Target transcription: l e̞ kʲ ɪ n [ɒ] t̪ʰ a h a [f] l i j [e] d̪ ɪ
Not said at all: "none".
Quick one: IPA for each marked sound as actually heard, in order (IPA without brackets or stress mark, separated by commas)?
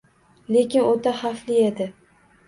o, f, e